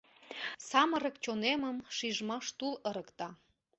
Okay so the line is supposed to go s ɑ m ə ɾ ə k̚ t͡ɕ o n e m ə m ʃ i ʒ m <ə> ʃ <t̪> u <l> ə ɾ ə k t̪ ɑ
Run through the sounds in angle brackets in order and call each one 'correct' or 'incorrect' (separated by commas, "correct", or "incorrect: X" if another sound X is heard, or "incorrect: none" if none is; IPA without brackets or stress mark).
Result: incorrect: ɑ, correct, correct